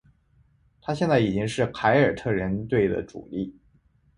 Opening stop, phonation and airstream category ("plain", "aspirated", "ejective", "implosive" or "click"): aspirated